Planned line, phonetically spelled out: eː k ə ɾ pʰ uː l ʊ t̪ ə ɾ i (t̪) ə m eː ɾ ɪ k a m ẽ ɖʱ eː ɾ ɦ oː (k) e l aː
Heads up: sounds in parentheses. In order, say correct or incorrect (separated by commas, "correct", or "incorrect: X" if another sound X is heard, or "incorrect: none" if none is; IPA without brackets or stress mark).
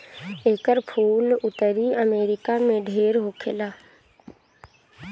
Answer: incorrect: none, incorrect: kʰ